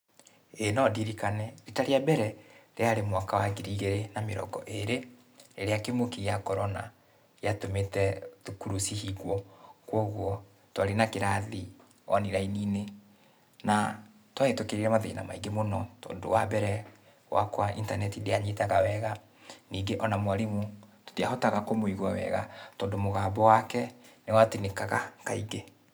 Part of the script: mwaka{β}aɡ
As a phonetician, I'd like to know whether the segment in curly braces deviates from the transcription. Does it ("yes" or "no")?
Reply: yes